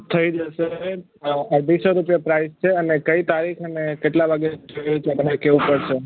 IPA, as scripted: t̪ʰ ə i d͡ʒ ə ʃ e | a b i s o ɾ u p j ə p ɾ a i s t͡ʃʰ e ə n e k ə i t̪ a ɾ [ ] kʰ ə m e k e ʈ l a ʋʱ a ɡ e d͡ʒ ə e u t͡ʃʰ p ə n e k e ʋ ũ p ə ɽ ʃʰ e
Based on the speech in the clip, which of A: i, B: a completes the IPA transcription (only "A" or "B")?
A